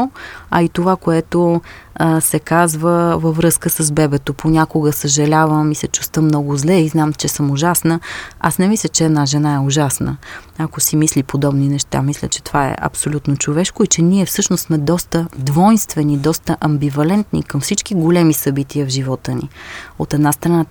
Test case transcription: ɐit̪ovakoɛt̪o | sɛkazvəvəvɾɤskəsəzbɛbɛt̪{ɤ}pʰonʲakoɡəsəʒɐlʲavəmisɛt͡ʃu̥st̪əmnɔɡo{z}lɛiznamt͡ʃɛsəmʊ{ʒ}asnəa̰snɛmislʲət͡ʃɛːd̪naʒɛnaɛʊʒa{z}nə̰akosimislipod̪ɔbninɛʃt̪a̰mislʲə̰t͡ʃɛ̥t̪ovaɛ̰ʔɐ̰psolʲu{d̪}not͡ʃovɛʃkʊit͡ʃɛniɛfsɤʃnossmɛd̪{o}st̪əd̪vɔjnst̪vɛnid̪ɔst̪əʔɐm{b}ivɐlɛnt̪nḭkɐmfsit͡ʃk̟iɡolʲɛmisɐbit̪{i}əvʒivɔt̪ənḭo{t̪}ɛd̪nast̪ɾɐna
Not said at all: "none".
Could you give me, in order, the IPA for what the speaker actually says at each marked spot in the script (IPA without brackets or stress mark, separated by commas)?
o, z, ʒ, s, t̪, ɔ, b, i, t̪